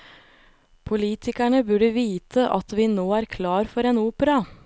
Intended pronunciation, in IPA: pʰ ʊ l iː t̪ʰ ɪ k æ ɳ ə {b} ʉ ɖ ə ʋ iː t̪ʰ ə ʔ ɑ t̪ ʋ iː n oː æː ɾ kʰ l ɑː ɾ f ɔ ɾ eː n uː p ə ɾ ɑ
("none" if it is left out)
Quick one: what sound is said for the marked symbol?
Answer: b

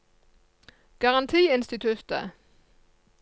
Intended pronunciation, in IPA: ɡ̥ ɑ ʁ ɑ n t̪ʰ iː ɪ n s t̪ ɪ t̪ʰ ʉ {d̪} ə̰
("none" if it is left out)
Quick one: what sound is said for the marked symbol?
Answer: t̪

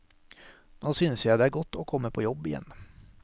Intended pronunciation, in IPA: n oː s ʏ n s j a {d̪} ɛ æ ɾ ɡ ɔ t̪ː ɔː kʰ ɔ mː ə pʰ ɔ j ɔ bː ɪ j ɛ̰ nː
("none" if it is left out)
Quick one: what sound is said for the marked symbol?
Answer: d̪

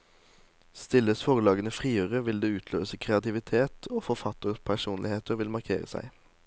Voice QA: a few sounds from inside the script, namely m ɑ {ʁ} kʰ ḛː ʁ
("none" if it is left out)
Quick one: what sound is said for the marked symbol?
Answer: ʁ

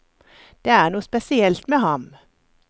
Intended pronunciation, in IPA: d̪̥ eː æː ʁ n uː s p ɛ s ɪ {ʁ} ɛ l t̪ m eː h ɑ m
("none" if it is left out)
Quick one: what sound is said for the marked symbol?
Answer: none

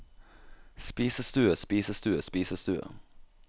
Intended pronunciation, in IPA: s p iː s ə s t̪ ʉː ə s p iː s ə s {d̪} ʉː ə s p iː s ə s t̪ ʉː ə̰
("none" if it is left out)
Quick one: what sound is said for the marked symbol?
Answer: t̪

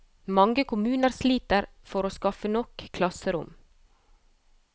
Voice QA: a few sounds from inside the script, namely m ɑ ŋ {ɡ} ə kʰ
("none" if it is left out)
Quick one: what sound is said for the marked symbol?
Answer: ɡ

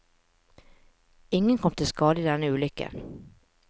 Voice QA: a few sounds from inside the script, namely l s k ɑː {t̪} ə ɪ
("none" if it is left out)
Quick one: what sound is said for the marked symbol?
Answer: d̪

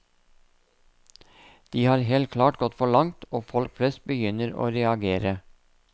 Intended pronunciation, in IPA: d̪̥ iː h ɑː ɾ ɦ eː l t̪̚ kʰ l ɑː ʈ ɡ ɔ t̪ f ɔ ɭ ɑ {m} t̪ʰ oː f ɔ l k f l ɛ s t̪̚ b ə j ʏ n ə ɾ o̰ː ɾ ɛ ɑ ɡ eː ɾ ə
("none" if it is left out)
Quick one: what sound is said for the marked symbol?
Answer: ŋ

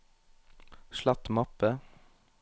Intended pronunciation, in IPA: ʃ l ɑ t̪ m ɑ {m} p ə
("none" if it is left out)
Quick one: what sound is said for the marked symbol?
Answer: none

